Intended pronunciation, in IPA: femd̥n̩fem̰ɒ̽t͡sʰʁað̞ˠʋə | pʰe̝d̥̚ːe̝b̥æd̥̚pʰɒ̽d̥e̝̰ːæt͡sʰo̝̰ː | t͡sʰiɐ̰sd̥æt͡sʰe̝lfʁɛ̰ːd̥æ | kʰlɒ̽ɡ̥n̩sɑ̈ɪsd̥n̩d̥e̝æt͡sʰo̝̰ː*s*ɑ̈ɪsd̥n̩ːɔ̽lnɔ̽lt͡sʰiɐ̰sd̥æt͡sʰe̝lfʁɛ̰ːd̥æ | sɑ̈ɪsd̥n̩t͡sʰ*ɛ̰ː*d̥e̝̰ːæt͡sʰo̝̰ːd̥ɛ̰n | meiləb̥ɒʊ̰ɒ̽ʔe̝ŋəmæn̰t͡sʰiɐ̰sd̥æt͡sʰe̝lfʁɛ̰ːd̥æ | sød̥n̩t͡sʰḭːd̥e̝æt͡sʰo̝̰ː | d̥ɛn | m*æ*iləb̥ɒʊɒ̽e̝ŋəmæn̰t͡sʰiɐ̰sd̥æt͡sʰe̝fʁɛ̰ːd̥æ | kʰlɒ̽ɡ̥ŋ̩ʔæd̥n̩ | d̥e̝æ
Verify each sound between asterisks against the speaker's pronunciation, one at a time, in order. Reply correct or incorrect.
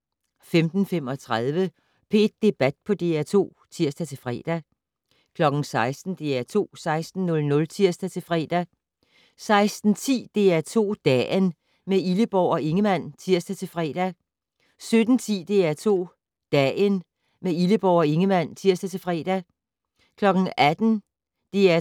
correct, incorrect: ḭː, incorrect: e

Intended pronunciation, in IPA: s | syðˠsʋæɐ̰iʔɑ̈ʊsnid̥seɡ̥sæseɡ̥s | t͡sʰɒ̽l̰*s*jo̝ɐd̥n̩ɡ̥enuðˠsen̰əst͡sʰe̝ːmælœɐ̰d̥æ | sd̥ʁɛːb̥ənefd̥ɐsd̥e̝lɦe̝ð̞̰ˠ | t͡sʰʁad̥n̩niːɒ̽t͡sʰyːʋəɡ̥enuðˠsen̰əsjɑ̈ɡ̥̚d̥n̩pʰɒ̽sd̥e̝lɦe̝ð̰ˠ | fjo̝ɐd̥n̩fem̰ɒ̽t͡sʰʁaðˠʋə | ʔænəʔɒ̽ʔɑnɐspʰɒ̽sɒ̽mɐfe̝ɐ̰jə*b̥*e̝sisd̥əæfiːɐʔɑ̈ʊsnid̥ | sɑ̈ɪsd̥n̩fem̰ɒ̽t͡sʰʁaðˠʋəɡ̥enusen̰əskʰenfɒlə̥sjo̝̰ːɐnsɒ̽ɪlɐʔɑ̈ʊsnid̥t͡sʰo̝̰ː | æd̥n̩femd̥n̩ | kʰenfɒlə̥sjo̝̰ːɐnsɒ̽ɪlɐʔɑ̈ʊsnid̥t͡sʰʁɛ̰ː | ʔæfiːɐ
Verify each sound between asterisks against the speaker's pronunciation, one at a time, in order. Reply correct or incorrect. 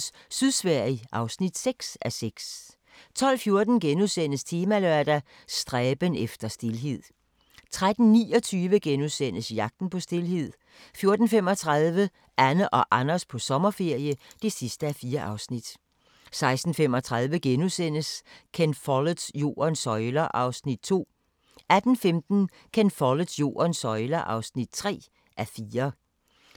incorrect: f, incorrect: d̥

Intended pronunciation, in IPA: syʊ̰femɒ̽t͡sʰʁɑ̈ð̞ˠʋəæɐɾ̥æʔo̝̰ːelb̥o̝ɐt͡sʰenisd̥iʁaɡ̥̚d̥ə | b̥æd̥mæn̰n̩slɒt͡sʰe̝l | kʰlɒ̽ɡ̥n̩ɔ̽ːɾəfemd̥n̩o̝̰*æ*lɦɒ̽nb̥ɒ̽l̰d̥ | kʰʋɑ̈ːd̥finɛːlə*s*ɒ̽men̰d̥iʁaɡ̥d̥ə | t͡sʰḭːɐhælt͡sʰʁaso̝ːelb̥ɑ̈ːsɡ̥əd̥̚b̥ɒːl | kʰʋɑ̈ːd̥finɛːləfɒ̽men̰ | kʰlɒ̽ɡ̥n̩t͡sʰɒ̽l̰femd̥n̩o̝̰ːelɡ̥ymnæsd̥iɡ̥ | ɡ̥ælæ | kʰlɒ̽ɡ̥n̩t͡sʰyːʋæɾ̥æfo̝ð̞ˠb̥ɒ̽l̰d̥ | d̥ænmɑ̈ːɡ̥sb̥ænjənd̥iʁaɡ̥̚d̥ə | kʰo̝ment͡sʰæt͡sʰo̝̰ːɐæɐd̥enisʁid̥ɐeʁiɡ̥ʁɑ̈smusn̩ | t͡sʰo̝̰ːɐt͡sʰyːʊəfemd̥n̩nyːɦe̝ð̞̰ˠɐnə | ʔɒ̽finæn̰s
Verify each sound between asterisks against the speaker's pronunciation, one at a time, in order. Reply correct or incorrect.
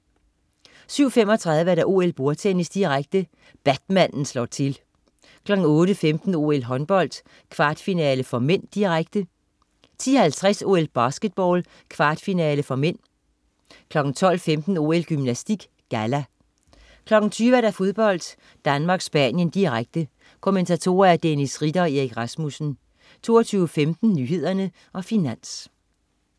incorrect: e, incorrect: f

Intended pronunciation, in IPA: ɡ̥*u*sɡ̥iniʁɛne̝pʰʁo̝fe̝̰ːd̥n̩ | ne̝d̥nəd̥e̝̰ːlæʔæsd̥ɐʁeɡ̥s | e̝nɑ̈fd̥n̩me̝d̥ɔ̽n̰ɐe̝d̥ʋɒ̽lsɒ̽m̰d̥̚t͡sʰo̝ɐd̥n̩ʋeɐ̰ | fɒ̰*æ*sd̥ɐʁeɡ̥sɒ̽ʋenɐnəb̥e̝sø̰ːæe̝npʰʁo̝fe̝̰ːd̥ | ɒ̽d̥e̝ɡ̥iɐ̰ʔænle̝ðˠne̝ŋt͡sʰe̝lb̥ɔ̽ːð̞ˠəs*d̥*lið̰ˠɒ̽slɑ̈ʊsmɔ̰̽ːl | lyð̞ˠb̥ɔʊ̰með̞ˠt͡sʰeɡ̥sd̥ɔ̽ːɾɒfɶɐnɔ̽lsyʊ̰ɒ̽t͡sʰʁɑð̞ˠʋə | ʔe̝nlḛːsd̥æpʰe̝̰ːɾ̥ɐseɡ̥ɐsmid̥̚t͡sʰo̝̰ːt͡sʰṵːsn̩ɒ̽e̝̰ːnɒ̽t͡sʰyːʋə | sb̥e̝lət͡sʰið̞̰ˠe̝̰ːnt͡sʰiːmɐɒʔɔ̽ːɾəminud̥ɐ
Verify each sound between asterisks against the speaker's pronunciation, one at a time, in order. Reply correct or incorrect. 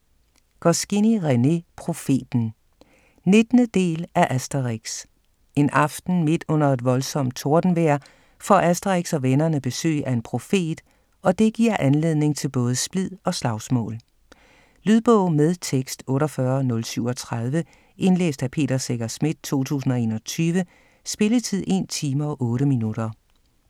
incorrect: ɒ, correct, incorrect: b̥

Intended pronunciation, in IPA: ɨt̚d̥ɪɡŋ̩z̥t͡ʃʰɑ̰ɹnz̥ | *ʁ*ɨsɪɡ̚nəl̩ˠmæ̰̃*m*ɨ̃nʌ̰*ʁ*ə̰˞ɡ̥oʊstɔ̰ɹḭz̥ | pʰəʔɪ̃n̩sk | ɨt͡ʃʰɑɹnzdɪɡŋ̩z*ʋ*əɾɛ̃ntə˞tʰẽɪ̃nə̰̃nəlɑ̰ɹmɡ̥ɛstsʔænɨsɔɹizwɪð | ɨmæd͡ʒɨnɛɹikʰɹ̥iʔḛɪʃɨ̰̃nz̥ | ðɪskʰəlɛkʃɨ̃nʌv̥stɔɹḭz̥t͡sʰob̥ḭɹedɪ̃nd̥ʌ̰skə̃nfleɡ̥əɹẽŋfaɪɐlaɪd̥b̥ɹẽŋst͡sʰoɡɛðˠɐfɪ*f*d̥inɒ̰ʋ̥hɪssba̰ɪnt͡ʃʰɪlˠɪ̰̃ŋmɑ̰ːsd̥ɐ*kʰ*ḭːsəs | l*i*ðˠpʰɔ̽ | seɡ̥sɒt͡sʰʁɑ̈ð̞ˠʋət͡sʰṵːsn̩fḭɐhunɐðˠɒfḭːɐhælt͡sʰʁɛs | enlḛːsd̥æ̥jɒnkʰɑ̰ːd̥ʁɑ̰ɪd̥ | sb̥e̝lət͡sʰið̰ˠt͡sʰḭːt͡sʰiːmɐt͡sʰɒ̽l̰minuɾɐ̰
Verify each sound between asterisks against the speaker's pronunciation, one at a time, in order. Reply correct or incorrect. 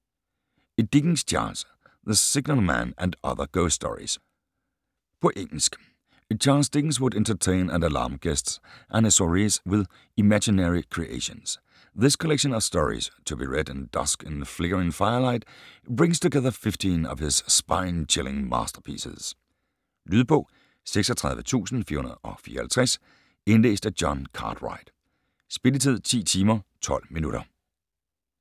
incorrect: ð, incorrect: n, incorrect: ð, incorrect: w, correct, incorrect: pʰ, incorrect: y

